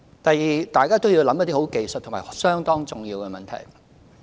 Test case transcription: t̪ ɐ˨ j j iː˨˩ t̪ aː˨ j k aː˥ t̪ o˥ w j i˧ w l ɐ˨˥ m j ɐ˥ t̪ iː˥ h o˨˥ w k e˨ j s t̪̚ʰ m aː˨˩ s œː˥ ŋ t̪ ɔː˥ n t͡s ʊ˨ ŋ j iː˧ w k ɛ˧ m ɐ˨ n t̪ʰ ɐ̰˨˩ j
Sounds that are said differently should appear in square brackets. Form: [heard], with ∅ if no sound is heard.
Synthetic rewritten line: t̪ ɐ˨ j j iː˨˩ t̪ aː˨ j k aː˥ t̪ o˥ w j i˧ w l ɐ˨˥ m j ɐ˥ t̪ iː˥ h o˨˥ w k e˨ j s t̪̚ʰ m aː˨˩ s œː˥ ŋ t̪ ɔː˥ [ŋ] t͡s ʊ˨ ŋ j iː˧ w k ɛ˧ m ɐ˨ n t̪ʰ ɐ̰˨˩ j

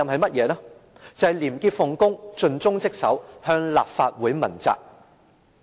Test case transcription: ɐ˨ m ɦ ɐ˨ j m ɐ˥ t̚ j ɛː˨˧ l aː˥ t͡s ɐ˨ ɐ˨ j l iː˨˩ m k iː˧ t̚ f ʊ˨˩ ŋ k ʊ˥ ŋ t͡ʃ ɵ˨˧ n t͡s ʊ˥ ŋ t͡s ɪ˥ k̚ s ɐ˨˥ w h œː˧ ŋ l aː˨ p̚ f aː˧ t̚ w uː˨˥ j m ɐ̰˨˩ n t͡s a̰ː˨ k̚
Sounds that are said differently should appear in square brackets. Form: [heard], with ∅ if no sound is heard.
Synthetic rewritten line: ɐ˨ m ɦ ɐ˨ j m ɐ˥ t̚ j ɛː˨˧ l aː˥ t͡s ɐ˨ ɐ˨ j l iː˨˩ m k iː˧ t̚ f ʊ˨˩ ŋ k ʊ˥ ŋ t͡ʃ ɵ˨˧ n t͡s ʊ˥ ŋ t͡s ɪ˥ k̚ s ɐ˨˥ w h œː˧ ŋ l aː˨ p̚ f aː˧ t̚ w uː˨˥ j m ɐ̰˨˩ n t͡s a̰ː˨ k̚

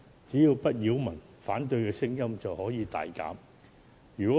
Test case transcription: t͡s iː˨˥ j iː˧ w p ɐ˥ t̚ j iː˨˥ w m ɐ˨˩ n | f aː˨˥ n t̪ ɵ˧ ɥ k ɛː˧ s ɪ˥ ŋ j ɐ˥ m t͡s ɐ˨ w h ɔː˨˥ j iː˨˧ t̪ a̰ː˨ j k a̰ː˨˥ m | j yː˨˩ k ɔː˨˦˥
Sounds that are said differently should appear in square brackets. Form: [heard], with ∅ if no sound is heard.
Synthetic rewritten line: t͡s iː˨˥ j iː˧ w p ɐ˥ t̚ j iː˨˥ w m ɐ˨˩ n | f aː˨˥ n t̪ ɵ˧ ɥ k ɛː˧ s ɪ˥ ŋ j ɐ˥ m t͡s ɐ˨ w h ɔː˨˥ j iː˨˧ t̪ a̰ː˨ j k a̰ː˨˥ m | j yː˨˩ k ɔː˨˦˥

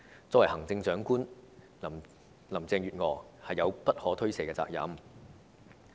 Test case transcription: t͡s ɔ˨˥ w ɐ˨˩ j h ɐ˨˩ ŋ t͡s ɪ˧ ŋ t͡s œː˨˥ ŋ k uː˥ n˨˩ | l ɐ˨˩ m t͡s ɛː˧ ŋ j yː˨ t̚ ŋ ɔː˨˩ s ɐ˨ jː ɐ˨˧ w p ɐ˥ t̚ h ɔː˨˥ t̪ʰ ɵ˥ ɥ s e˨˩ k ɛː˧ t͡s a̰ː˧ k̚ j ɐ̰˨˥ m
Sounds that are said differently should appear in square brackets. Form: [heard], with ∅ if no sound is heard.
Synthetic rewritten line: t͡s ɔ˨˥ w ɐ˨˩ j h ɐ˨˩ ŋ t͡s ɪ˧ ŋ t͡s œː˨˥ ŋ k uː˥ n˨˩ | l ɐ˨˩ m t͡s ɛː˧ ŋ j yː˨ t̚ ŋ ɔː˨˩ [h] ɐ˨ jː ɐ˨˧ w p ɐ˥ t̚ h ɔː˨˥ t̪ʰ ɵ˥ ɥ s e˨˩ k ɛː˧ t͡s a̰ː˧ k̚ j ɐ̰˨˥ m

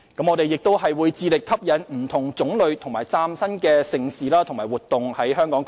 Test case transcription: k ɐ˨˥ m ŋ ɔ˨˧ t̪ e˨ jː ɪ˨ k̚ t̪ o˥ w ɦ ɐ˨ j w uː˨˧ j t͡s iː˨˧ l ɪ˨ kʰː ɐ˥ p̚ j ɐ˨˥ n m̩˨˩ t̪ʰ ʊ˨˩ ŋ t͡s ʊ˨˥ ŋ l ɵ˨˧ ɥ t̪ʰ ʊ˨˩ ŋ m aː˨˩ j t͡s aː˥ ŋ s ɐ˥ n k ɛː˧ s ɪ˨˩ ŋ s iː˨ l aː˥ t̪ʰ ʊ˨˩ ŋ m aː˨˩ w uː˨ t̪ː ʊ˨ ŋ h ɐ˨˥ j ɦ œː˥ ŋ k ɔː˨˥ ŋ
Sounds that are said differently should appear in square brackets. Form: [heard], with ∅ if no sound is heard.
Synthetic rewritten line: k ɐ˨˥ m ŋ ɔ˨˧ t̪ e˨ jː ɪ˨ k̚ t̪ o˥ w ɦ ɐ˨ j w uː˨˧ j t͡s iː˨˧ l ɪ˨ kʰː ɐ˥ p̚ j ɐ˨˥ n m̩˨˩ t̪ʰ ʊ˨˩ ŋ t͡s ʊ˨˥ ŋ l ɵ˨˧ ɥ t̪ʰ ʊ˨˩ ŋ m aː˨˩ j t͡s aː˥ [m] s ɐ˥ n k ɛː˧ s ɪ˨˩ ŋ s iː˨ l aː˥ t̪ʰ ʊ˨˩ ŋ m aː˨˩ w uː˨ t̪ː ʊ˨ ŋ h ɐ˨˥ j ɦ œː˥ ŋ k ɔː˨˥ ŋ

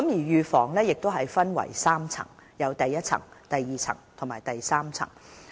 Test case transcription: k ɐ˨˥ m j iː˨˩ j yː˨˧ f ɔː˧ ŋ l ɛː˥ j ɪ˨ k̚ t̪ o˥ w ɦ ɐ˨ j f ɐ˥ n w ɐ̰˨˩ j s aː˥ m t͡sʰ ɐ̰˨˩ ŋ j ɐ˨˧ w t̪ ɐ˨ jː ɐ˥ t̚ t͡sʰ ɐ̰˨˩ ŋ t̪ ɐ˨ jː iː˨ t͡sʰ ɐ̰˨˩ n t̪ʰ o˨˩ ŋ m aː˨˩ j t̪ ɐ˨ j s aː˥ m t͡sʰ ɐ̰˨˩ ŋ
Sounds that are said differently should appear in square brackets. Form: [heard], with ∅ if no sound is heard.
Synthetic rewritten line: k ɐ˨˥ m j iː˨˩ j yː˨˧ f [ɔː˨˩] ŋ l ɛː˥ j ɪ˨ k̚ t̪ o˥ w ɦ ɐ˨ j f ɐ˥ n w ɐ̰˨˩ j s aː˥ m t͡sʰ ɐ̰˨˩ ŋ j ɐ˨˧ w t̪ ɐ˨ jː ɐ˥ t̚ t͡sʰ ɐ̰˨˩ ŋ t̪ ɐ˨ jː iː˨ t͡sʰ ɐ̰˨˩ [ŋ] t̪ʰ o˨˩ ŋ m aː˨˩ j t̪ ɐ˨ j s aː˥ m t͡sʰ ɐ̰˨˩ ŋ

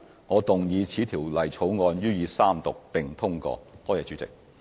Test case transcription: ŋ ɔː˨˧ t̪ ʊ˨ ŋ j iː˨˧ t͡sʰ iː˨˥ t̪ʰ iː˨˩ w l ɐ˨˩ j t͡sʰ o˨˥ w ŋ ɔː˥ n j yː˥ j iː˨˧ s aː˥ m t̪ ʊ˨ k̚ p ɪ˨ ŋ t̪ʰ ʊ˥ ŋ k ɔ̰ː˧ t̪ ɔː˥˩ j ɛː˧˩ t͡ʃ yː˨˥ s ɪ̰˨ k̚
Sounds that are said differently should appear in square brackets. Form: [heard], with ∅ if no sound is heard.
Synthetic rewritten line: ŋ ɔː˨˧ t̪ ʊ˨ ŋ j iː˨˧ t͡sʰ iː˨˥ t̪ʰ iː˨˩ w l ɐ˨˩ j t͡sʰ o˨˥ w ŋ [ɔː˧] n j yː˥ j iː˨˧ s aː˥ m t̪ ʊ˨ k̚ p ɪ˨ ŋ t̪ʰ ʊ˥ ŋ k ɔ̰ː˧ t̪ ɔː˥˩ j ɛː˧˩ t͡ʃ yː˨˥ [t͡s] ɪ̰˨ k̚

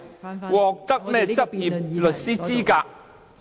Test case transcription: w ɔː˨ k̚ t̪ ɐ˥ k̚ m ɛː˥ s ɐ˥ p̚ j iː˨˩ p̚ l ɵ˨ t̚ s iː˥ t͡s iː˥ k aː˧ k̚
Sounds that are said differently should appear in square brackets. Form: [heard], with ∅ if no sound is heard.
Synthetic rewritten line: w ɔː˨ k̚ t̪ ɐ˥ k̚ m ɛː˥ [t͡s] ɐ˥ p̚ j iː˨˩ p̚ l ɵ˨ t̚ s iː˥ t͡s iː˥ k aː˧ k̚

